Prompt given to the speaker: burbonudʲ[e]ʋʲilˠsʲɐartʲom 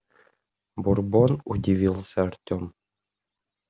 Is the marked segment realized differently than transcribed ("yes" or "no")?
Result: yes